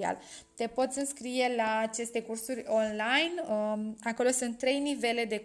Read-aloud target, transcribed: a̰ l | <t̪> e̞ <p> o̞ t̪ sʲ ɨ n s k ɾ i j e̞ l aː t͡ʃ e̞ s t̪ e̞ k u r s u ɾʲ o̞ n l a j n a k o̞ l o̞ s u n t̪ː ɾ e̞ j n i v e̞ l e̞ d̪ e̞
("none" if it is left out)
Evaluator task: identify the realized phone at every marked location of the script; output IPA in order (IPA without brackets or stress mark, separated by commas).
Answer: t̪, p